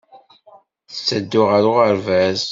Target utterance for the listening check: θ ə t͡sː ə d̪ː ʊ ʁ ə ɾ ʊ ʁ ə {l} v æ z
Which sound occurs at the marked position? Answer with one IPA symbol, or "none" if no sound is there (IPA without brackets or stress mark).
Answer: ɾ